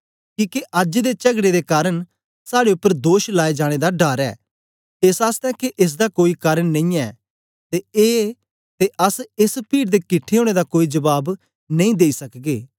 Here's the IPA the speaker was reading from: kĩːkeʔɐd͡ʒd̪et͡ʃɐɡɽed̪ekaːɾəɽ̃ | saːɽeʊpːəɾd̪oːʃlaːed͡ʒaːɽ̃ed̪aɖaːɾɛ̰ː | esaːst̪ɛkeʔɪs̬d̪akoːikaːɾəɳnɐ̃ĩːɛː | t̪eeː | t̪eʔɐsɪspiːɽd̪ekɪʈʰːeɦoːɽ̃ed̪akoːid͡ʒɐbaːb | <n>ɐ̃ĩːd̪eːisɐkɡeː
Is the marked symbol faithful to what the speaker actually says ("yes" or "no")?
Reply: yes